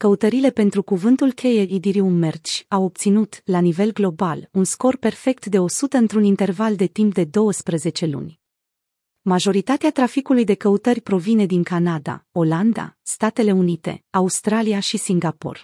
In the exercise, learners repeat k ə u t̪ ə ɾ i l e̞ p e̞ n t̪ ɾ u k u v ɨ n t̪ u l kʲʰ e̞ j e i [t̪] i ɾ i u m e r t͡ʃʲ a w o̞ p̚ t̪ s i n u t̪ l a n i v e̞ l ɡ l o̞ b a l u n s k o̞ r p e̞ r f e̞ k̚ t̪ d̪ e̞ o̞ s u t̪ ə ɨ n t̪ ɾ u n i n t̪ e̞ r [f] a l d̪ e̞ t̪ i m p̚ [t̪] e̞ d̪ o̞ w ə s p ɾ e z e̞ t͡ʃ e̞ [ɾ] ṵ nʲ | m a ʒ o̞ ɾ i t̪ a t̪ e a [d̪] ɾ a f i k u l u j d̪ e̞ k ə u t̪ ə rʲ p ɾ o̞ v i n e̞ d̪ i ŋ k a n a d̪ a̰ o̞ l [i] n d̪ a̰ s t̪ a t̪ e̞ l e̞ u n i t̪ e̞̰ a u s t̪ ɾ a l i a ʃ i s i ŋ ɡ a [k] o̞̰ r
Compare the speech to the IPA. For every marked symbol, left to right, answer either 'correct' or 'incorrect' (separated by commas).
incorrect, incorrect, incorrect, incorrect, incorrect, incorrect, incorrect